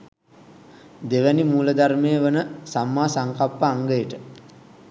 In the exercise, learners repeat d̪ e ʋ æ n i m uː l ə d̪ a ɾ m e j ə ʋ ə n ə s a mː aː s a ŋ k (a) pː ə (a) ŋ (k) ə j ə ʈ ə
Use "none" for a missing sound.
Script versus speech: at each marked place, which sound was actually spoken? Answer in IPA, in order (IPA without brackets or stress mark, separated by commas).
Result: a, a, ɡ